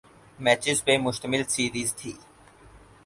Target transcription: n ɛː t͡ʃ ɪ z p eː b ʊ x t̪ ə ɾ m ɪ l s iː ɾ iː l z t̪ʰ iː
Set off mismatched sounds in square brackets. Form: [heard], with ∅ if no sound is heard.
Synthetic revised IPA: [m] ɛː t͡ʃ ɪ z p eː [m] ʊ [ʃ] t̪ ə [∅] m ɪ l s iː ɾ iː [∅] z t̪ʰ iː